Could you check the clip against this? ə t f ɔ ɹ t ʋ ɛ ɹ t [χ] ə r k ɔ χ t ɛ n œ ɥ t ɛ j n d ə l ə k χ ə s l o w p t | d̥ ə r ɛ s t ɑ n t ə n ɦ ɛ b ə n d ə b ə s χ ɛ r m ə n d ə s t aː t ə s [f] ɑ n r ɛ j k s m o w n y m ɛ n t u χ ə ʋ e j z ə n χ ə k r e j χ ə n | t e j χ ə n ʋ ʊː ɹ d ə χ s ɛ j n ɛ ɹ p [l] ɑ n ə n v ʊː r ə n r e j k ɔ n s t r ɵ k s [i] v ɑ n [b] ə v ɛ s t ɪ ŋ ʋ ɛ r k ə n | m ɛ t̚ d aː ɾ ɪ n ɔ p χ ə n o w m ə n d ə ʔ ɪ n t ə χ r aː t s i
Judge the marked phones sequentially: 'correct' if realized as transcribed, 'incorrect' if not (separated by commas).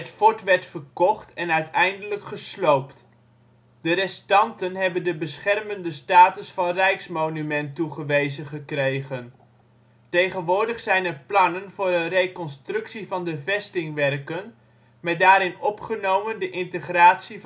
incorrect, correct, correct, correct, incorrect